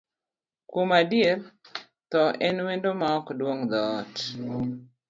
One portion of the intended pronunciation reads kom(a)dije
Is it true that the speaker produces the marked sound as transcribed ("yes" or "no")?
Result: yes